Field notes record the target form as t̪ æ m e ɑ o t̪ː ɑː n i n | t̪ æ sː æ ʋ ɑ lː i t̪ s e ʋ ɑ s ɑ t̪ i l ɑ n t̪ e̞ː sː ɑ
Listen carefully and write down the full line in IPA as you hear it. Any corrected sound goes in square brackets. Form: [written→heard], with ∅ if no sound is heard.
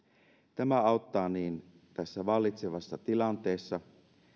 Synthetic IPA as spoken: t̪ æ m [e→æ] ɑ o t̪ː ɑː n [i→iː] n | t̪ æ sː æ ʋ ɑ lː i t̪ s e ʋ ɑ [s→sː] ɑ t̪ i l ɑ n t̪ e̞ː sː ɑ